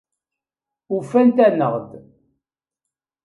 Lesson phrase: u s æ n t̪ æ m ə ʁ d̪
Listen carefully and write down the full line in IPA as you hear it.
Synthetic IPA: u f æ n t̪ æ n ə ʁ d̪